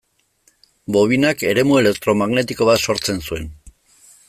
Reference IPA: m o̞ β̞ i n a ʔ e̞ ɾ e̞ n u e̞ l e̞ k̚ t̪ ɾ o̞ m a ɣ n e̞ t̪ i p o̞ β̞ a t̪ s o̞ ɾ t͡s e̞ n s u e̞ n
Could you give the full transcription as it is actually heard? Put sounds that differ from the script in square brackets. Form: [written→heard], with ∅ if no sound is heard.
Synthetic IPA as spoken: [m→b] o̞ β̞ i n a [ʔ→k] e̞ ɾ e̞ [n→m] u e̞ l e̞ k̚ t̪ ɾ o̞ m a ɣ n e̞ t̪ i [p→k] o̞ β̞ a t̪ s o̞ ɾ t͡s e̞ n s u e̞ n